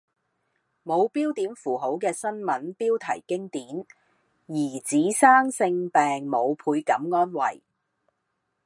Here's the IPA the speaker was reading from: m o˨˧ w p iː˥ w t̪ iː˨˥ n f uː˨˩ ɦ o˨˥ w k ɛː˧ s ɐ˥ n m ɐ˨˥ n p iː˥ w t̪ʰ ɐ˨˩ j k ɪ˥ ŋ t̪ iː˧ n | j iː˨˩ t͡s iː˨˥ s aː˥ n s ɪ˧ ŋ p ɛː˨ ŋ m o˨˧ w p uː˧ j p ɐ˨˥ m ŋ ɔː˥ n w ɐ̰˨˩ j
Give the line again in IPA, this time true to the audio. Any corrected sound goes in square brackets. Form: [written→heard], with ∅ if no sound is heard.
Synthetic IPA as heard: m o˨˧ w p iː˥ w t̪ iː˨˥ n f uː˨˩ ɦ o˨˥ w k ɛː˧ s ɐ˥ n m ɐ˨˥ n p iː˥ w t̪ʰ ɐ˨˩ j k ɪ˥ ŋ t̪ [iː˧→iː˨˥] n | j iː˨˩ t͡s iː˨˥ s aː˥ [n→ŋ] s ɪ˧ ŋ p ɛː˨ ŋ m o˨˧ w [p→pʰ] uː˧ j [p→k] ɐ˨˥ m ŋ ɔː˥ n w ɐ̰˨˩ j